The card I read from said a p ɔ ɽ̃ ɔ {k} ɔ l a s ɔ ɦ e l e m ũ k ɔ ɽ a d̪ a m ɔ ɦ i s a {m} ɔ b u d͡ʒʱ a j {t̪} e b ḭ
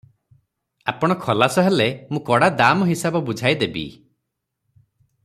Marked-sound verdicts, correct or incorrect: incorrect, incorrect, incorrect

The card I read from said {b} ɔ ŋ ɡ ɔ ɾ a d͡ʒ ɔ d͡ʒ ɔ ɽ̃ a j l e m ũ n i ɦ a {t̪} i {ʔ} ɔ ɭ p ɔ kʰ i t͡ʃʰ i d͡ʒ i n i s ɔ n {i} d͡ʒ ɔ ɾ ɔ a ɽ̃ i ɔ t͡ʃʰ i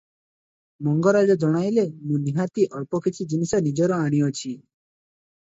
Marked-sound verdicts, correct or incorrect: incorrect, correct, correct, correct

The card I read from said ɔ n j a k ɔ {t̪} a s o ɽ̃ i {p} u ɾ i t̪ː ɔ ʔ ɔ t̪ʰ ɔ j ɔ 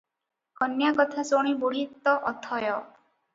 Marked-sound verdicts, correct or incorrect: incorrect, incorrect

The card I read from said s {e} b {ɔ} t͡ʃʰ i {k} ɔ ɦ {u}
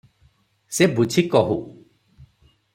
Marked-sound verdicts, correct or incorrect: correct, incorrect, correct, correct

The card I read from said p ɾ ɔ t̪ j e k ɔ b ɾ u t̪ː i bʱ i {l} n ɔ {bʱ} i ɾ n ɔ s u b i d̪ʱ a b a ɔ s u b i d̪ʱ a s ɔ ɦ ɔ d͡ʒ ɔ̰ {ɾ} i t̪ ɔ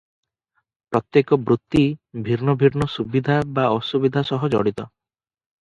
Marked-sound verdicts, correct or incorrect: incorrect, correct, incorrect

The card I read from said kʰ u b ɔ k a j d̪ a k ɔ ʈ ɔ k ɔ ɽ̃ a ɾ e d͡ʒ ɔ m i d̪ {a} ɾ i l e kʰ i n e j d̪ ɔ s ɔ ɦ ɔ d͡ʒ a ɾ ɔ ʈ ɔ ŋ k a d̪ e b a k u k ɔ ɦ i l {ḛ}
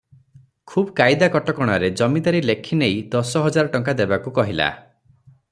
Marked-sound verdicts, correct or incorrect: correct, incorrect

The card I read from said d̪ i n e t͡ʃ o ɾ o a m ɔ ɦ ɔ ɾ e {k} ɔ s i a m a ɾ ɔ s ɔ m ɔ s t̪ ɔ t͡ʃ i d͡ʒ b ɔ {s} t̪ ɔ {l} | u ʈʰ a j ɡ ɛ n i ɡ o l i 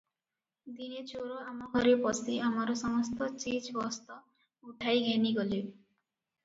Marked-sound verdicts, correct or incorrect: incorrect, correct, incorrect

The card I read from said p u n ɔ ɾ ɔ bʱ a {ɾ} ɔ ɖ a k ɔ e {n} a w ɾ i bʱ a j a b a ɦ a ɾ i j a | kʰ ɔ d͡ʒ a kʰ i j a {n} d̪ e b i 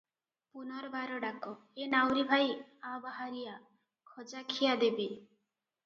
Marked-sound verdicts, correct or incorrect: correct, correct, incorrect

